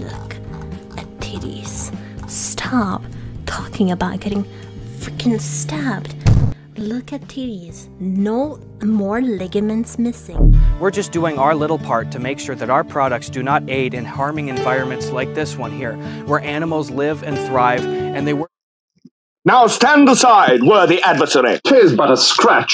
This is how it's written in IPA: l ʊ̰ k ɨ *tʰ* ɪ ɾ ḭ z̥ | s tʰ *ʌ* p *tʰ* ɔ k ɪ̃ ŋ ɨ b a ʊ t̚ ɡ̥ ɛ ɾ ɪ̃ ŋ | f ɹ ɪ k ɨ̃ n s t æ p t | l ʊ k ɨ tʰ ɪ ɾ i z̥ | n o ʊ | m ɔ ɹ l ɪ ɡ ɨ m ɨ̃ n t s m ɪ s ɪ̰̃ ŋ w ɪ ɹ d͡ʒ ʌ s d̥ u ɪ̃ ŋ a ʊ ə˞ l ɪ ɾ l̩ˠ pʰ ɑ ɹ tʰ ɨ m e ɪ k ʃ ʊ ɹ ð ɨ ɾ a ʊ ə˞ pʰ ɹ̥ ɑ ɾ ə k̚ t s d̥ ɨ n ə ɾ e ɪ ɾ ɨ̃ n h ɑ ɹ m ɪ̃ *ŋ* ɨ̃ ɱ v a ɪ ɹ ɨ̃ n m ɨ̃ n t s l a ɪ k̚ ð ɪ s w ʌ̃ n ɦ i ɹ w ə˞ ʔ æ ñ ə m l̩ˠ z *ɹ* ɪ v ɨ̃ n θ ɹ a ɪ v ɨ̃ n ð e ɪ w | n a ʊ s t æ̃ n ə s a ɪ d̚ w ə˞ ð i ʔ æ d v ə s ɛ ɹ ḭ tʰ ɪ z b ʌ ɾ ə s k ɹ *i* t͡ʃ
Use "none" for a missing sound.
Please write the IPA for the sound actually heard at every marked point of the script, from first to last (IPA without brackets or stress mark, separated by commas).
tʰ, ɑ, tʰ, ŋ, l, æ